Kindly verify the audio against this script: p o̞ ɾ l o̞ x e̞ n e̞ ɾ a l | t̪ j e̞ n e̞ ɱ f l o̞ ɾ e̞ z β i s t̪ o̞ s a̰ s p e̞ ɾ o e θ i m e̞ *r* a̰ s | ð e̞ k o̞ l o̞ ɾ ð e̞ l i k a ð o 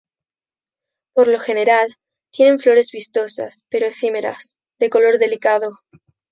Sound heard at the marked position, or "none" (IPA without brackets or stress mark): ɾ